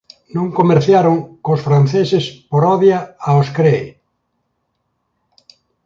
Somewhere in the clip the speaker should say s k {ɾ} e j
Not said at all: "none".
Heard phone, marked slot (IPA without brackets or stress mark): ɾ